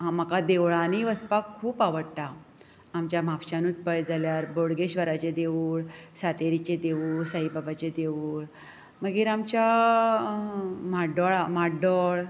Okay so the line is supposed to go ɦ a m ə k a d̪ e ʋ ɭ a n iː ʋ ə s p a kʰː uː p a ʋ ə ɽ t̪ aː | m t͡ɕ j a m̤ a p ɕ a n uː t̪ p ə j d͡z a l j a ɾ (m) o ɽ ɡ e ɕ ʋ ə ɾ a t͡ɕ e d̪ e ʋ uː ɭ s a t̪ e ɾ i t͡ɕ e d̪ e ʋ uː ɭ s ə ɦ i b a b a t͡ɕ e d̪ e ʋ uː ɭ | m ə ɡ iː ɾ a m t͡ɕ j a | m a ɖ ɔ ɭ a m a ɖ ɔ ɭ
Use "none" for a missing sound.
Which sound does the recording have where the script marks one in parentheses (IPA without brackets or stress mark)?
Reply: b